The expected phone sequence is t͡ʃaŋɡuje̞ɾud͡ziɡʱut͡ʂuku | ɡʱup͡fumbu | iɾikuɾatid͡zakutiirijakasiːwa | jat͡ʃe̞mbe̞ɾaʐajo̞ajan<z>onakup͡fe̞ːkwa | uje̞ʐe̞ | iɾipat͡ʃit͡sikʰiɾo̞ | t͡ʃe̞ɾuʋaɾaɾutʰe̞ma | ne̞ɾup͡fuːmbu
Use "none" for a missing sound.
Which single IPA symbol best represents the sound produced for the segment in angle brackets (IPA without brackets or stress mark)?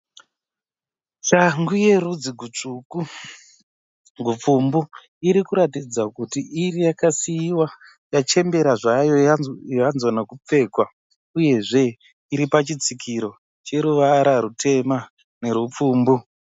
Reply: z